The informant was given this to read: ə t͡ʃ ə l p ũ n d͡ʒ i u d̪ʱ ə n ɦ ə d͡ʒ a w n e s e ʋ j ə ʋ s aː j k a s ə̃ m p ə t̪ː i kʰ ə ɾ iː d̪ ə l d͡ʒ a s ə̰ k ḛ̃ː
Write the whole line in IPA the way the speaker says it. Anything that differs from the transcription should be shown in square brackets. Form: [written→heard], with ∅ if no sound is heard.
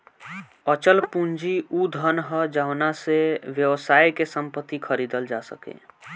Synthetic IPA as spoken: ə t͡ʃ ə l p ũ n d͡ʒ i u d̪ʱ ə n ɦ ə d͡ʒ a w n [e→a] s e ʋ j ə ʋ s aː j k [a→e] s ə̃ m p ə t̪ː i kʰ ə ɾ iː d̪ ə l d͡ʒ a s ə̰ k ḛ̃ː